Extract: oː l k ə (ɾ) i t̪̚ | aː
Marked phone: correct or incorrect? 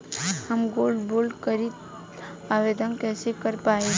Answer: correct